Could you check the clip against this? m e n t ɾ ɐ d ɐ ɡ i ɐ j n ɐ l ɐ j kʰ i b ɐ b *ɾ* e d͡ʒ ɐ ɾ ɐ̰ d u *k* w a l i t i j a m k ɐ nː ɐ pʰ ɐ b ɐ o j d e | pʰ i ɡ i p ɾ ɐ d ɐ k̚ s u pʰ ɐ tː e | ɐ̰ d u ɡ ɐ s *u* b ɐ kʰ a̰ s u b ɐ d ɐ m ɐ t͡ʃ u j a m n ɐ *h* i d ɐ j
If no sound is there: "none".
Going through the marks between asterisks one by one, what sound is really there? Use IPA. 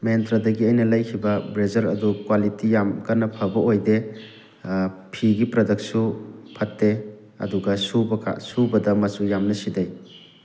ɾ, k, u, s

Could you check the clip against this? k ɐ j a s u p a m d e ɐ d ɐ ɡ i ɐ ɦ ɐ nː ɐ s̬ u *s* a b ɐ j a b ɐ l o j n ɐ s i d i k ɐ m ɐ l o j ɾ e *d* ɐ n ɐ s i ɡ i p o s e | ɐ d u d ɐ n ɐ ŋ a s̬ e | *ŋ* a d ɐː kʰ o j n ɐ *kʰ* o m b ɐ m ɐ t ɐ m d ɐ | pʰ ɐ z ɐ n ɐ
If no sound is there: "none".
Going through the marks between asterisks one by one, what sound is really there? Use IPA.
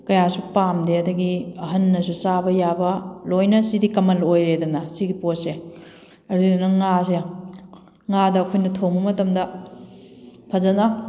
s, d, ŋ, tʰ

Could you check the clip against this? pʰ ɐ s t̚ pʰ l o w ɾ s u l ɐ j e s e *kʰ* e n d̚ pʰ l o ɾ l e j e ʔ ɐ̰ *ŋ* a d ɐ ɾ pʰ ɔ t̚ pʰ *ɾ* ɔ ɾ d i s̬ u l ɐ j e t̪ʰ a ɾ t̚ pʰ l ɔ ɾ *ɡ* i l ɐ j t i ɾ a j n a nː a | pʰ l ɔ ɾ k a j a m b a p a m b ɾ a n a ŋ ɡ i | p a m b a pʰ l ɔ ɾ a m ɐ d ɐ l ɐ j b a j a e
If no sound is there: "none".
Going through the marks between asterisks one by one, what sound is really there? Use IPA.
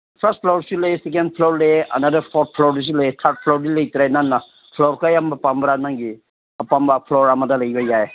k, n, l, d

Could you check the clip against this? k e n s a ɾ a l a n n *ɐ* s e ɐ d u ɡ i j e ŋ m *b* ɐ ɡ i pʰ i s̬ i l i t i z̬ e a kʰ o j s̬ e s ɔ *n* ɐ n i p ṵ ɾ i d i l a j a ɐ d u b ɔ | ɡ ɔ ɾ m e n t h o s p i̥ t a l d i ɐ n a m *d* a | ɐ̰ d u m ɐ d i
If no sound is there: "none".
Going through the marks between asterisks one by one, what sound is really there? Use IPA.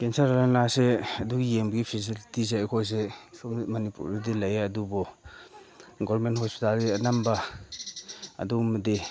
a, b, m, b

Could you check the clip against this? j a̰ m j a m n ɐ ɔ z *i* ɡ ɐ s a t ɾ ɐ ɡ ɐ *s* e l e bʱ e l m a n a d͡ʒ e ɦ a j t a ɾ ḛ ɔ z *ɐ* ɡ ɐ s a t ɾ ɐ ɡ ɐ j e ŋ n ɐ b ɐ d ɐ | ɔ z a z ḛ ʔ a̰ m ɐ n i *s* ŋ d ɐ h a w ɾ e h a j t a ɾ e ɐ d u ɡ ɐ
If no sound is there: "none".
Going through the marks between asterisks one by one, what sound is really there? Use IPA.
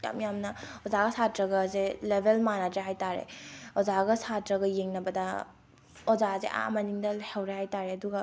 a, z, a, none

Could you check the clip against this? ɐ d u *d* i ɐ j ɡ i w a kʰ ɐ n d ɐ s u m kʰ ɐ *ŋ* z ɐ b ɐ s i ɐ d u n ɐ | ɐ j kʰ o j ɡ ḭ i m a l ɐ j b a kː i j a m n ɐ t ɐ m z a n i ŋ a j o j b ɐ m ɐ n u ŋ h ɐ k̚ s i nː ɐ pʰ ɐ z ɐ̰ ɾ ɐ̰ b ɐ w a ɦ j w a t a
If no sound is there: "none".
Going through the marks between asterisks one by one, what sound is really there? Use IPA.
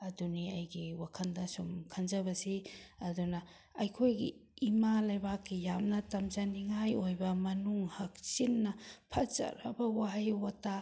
n, n

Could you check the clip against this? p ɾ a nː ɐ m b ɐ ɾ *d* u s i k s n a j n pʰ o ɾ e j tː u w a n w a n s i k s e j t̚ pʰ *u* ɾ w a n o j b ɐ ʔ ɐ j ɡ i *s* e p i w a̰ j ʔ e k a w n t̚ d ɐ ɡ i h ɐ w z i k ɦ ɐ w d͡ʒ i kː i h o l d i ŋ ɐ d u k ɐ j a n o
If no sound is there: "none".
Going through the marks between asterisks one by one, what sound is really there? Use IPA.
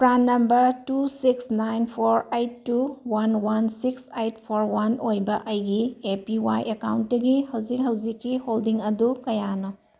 t, o, none

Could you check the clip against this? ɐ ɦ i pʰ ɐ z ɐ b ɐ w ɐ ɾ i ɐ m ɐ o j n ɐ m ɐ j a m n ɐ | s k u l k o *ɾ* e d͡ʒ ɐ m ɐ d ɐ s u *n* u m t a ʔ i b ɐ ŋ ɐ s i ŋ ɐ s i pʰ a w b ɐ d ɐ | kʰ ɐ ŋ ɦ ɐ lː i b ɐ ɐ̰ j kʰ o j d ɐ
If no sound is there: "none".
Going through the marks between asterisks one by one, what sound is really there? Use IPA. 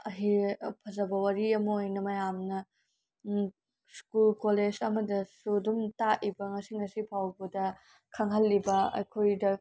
l, d

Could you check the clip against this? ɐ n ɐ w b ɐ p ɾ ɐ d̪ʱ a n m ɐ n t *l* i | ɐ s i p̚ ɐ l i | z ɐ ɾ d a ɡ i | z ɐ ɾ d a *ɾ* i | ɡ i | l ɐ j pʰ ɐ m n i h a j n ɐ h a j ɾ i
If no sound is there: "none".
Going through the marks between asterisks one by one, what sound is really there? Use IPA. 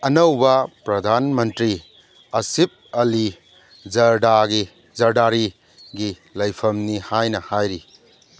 ɾ, ɾ

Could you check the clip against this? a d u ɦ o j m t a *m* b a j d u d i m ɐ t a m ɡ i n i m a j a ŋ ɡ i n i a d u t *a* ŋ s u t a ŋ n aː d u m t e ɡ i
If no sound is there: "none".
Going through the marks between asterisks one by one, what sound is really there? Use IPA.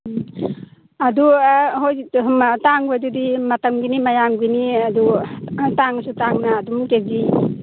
ŋ, a

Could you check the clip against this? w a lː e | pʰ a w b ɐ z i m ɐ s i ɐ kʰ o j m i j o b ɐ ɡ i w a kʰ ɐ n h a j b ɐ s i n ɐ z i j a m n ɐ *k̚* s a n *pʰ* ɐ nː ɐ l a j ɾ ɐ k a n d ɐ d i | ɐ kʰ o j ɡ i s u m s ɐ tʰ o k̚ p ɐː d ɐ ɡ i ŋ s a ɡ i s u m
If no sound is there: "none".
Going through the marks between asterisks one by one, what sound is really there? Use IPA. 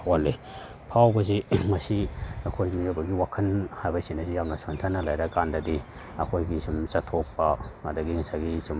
none, tʰ

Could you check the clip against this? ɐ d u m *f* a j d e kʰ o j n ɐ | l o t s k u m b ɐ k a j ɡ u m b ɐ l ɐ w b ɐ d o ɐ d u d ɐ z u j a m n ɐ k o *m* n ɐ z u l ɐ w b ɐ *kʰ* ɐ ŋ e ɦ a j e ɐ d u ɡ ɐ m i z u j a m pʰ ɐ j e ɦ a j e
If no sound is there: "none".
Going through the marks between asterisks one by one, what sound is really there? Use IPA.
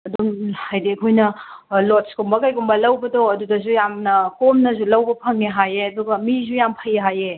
h, m, pʰ

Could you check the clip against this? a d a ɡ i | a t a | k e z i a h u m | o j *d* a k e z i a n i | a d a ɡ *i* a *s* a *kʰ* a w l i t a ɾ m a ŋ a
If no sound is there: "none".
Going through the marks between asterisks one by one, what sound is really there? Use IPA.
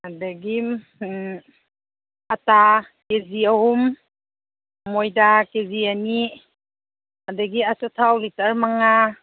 d, i, s, tʰ

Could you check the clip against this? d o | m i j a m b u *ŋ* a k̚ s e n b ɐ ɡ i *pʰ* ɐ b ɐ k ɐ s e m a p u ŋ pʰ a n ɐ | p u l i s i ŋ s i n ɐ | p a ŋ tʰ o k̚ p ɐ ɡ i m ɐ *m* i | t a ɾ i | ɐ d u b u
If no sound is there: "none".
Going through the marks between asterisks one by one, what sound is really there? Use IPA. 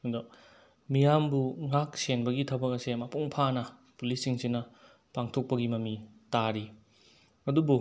ŋ, tʰ, m

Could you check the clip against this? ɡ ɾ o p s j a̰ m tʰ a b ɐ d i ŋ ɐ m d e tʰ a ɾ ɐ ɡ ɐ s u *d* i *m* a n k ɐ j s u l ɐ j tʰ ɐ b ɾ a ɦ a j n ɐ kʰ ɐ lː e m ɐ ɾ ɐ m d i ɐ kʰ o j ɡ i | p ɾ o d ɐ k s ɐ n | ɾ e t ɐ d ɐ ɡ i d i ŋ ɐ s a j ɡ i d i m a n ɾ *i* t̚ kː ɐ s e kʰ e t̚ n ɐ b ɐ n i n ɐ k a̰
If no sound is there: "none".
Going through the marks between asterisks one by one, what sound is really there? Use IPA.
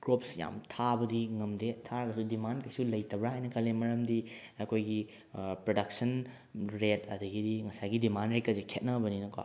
d, m, e

